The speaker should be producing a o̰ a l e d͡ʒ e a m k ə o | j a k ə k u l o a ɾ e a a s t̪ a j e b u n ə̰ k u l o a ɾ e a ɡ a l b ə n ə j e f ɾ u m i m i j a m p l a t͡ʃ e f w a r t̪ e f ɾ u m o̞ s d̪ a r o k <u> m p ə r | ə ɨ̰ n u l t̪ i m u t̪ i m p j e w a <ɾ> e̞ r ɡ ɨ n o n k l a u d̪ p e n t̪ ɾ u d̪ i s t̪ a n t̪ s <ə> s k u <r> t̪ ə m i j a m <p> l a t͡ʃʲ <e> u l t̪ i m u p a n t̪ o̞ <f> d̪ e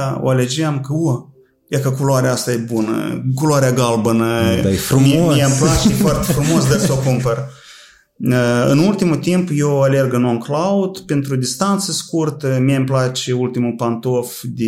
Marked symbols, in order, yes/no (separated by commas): yes, no, yes, yes, yes, yes, yes